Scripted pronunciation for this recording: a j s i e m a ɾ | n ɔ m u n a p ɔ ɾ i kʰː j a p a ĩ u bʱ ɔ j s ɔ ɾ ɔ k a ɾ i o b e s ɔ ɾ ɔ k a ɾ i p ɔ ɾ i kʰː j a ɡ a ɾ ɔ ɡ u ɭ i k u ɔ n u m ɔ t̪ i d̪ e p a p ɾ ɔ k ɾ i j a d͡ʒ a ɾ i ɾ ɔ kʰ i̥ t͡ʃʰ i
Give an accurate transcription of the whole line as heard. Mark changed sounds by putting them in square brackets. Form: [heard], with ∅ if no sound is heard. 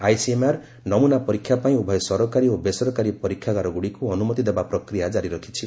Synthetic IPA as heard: a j s i e m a ɾ | n ɔ m u n a p ɔ ɾ i kʰː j a p a ĩ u bʱ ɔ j s ɔ ɾ ɔ k a ɾ i o b e s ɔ ɾ ɔ k a ɾ i p ɔ ɾ i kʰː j a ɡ a ɾ ɔ ɡ u [ɽ] i k u ɔ n u m ɔ t̪ i d̪ e [b] a p ɾ ɔ k ɾ i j a d͡ʒ a ɾ i ɾ ɔ kʰ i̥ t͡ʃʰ i